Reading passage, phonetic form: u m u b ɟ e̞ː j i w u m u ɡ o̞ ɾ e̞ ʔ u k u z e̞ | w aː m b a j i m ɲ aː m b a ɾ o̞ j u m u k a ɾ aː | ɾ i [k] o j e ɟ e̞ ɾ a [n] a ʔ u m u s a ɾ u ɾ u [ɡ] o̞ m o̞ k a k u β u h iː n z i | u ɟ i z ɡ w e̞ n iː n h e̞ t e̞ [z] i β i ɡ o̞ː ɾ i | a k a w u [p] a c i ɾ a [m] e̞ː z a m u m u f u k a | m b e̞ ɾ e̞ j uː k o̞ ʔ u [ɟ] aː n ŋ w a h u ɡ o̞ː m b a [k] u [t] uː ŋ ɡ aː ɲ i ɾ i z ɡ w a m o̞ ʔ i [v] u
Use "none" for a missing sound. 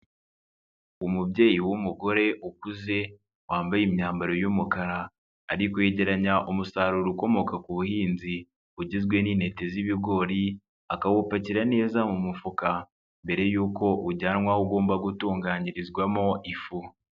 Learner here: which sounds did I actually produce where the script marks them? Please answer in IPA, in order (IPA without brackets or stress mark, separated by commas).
k, ɲ, k, z, p, n, ɟ, ɡ, t, f